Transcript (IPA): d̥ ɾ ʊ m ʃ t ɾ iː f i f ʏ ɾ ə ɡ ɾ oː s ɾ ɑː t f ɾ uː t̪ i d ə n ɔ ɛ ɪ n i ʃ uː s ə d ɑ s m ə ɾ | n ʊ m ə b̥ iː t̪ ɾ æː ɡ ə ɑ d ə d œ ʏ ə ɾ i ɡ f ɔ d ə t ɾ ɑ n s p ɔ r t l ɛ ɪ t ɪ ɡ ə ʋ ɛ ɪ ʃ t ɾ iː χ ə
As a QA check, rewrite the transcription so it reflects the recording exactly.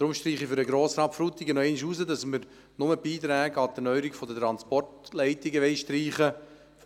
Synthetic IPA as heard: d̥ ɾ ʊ m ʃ t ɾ iː χ i f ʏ ɾ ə ɡ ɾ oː s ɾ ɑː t f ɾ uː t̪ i ɡ ə n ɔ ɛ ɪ n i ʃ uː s ə d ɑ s m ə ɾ | n ʊ m ə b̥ iː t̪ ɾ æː ɡ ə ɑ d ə n œ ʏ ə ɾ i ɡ f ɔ d ə t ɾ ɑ n s p ɔ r t l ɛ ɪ t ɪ ɡ ə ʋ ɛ ɪ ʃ t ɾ iː χ ə